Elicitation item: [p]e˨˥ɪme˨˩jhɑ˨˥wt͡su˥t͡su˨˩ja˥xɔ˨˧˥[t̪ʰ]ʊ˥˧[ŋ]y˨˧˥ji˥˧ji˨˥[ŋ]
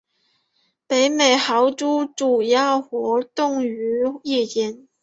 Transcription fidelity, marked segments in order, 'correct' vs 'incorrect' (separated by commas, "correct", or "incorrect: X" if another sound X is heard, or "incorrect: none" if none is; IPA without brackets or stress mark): correct, incorrect: t̪, correct, incorrect: n